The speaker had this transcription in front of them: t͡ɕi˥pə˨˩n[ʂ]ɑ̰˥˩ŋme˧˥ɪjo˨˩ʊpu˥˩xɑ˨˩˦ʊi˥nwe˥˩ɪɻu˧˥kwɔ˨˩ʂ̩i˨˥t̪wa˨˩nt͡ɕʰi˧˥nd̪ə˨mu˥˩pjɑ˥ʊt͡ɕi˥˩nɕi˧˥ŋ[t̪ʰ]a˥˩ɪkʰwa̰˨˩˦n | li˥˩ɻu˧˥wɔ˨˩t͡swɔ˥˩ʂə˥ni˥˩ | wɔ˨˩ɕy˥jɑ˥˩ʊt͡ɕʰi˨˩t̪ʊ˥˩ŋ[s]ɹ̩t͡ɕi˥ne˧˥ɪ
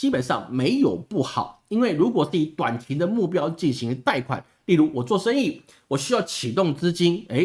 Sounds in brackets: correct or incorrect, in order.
correct, incorrect: t̪, incorrect: t͡s

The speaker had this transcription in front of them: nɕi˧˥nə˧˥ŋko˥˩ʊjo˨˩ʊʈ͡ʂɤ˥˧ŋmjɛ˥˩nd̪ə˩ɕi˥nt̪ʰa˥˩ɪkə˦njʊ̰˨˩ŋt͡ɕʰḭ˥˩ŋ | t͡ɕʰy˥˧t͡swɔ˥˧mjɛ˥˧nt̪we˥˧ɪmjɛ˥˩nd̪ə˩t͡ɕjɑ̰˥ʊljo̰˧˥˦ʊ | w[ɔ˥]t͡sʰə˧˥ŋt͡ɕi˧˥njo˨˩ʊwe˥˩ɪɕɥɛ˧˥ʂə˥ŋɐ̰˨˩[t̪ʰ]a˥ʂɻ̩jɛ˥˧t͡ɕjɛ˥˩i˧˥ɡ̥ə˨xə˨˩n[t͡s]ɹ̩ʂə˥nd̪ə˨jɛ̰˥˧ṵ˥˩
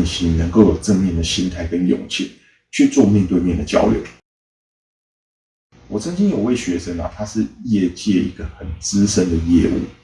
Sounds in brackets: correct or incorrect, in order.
incorrect: ɔ˨˩, correct, correct

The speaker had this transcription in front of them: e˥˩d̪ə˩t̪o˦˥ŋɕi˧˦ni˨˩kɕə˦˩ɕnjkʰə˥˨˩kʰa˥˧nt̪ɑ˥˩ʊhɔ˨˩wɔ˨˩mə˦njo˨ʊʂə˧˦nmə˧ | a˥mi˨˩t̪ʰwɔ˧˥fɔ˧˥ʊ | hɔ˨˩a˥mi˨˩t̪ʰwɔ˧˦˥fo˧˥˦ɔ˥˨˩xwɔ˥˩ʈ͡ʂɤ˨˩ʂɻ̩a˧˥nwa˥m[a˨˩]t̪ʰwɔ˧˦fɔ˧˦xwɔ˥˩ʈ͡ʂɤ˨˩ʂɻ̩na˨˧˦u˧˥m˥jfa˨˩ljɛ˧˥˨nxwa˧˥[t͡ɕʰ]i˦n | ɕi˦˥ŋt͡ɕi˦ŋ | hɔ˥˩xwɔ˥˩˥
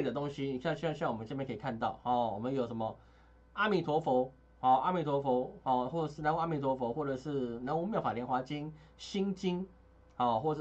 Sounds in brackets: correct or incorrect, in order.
incorrect: i˨˩, incorrect: t͡ɕ

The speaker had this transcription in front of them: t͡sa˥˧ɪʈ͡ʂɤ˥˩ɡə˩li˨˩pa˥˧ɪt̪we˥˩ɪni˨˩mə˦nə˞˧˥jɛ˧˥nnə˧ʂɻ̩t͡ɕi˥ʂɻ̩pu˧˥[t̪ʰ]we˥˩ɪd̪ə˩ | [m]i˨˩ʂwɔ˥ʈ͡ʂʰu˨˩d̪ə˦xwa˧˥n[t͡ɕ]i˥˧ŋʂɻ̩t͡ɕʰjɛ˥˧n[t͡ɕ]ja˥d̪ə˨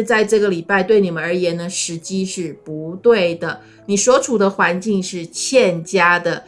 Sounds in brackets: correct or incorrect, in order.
incorrect: t̪, incorrect: n, correct, correct

